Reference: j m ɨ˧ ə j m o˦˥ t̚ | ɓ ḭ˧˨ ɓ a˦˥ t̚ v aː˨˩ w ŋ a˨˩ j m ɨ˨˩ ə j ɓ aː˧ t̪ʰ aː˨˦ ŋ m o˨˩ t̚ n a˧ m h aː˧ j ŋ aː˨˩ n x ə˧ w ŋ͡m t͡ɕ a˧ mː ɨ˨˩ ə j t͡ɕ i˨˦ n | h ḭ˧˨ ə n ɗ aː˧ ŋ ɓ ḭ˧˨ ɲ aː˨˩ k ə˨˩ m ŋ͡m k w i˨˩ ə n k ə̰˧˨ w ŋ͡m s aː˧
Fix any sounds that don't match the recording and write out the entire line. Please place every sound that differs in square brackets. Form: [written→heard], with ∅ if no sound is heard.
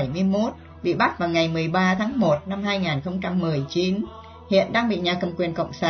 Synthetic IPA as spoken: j m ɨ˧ ə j m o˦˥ t̚ | ɓ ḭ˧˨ ɓ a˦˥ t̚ v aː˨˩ w ŋ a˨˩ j m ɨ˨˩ ə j ɓ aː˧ t̪ʰ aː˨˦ ŋ m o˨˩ t̚ n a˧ m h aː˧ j ŋ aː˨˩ n x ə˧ w ŋ͡m t͡ɕ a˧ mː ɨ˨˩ ə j t͡ɕ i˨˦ n | h ḭ˧˨ ə n ɗ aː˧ ŋ ɓ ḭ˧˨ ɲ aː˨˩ k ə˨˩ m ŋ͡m k w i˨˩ ə n k ə̰˧˨ w ŋ͡m s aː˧